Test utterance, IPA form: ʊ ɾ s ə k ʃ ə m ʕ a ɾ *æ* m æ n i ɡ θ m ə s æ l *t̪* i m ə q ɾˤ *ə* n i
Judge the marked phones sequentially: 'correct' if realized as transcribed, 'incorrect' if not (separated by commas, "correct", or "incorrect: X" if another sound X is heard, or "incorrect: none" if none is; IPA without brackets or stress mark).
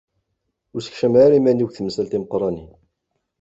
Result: incorrect: i, correct, incorrect: ɑ